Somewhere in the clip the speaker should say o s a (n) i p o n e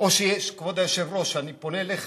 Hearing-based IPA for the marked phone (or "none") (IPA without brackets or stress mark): n